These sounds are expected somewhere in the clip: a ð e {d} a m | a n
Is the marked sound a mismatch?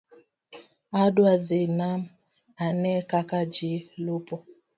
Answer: yes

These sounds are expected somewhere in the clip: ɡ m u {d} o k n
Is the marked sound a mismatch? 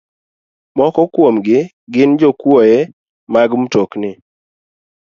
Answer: yes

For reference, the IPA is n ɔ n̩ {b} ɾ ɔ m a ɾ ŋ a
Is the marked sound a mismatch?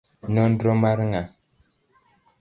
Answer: yes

